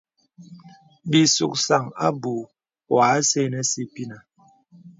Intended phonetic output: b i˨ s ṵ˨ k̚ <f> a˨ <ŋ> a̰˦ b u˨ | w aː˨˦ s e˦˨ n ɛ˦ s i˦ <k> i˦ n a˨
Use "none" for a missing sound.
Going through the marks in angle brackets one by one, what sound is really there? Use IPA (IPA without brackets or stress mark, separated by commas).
s, ŋ, p